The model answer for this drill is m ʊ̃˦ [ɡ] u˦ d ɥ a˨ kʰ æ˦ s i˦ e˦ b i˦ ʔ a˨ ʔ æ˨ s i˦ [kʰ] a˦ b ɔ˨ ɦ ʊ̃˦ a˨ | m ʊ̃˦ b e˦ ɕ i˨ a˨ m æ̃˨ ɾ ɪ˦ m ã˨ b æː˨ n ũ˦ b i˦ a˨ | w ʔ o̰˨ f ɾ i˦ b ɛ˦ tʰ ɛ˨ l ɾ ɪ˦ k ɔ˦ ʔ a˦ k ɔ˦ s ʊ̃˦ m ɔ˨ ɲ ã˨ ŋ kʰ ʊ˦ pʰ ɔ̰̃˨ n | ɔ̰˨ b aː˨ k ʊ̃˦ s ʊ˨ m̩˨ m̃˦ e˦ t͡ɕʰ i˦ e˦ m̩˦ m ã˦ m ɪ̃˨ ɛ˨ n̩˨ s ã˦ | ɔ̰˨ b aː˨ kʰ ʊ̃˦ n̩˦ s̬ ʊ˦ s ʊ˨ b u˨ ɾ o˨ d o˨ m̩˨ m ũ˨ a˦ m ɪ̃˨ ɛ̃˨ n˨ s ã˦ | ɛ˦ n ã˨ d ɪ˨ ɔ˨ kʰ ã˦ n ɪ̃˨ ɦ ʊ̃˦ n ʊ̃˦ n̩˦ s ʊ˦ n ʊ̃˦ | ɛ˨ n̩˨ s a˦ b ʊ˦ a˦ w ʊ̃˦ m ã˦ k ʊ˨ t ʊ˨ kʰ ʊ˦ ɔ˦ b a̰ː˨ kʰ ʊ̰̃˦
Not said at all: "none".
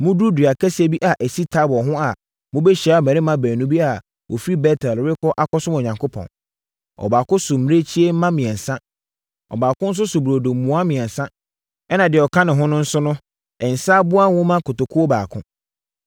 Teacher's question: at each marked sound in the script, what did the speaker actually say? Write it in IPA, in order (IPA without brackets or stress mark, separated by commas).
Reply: d, tʰ